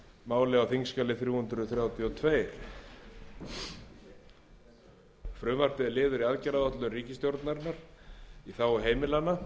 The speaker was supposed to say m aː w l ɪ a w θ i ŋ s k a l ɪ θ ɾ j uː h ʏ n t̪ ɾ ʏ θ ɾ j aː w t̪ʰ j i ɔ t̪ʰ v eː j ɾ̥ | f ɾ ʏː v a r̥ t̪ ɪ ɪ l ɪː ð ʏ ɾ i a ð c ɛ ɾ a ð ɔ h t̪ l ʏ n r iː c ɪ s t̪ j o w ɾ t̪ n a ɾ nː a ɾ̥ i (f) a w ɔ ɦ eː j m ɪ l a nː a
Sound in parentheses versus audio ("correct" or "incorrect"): incorrect